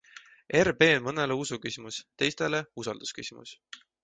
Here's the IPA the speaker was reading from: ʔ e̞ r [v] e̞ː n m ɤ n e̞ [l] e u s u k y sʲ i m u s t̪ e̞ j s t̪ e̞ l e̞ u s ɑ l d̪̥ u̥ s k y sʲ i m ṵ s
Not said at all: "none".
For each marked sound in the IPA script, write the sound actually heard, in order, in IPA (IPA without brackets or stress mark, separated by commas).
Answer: b, l